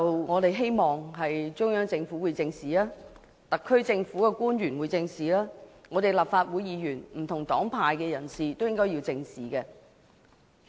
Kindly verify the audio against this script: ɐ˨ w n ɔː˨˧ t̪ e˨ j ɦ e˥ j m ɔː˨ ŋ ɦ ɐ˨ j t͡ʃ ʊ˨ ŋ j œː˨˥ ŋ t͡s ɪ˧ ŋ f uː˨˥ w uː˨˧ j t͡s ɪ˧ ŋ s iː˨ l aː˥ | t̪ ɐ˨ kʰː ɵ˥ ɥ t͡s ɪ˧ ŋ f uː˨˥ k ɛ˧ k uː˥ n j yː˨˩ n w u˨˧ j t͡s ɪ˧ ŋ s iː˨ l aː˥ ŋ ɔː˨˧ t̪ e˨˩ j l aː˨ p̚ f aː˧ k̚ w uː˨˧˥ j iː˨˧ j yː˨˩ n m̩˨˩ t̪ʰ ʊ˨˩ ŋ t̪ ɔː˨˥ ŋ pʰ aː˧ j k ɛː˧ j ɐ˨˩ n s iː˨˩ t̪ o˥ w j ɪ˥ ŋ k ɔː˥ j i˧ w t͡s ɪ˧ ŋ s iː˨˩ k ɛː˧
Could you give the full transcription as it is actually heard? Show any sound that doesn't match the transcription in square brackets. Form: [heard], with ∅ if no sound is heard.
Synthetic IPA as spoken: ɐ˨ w [ŋ] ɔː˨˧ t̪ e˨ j ɦ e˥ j m ɔː˨ ŋ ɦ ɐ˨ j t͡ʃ [ʊ˥] ŋ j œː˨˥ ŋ t͡s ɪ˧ ŋ f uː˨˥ w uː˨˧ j t͡s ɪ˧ ŋ s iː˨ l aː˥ | t̪ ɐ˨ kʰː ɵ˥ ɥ t͡s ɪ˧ ŋ f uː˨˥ k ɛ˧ k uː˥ n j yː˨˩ n w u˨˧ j t͡s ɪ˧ ŋ s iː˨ l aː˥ ŋ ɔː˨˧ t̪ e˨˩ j l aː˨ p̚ f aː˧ [t̚] w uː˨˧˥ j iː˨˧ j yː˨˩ n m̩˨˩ t̪ʰ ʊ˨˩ ŋ t̪ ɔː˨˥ ŋ pʰ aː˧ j k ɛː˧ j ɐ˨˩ n s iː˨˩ t̪ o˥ w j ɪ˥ ŋ k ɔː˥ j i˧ w t͡s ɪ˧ ŋ s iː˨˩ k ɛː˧